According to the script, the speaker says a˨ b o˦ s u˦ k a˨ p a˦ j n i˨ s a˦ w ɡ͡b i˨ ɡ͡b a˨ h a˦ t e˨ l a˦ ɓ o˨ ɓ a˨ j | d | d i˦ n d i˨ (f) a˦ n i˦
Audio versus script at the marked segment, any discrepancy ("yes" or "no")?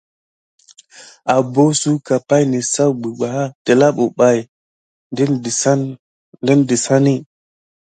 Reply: yes